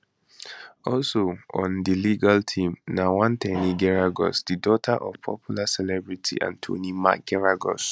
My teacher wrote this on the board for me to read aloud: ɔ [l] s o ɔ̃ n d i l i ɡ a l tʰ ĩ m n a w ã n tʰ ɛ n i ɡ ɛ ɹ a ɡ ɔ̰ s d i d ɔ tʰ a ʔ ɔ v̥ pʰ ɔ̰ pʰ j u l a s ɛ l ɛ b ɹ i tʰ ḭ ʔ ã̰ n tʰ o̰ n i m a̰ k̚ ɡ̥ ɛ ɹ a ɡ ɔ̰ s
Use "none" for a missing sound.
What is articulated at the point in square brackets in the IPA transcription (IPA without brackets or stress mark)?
l